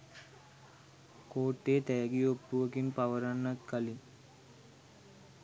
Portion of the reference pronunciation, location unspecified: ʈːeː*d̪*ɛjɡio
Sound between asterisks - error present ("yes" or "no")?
yes